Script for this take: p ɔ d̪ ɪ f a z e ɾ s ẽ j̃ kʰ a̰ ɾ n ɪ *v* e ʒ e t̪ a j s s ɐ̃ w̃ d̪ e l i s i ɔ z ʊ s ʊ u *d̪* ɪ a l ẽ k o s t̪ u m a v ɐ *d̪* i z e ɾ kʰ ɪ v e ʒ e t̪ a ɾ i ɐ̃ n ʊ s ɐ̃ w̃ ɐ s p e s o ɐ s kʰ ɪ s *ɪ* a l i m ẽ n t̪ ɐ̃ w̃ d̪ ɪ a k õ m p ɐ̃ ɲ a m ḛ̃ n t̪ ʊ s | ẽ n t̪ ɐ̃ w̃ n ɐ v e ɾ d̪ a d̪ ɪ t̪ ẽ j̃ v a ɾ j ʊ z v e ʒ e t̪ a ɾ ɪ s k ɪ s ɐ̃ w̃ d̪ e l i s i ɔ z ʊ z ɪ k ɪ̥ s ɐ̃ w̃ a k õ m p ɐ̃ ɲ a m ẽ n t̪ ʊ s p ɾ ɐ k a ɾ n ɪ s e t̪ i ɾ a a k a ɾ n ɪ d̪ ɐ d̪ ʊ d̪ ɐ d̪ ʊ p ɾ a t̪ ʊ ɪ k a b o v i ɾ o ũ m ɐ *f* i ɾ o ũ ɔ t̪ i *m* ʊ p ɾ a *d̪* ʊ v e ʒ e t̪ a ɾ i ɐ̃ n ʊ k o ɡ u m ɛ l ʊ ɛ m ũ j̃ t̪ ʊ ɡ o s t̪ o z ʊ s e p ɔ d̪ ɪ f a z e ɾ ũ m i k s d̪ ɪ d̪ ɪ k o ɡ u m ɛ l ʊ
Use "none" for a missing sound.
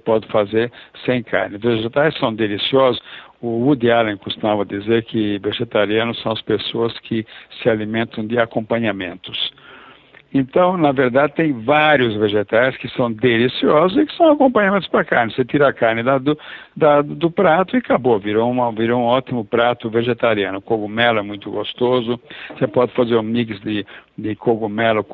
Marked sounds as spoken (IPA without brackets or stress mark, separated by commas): v, d̪, d̪, ɪ, v, m, t̪